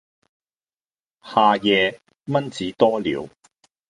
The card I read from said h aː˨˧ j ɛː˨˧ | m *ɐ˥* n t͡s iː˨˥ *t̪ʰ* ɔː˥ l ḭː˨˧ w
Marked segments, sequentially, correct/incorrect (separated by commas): correct, incorrect